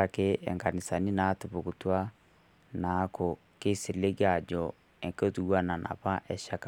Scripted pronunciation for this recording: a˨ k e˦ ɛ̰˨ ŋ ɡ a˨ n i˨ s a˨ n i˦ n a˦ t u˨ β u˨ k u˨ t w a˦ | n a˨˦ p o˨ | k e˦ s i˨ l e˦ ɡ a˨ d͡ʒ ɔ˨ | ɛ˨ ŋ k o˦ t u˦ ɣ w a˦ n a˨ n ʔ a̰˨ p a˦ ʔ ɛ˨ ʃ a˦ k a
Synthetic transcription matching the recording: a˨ k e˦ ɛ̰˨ ŋ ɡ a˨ n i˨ s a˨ n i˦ n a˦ t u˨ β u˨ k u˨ t w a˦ | n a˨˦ k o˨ | k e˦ s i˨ l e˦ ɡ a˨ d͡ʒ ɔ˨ | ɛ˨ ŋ k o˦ t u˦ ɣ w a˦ n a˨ n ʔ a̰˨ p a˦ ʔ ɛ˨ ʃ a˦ k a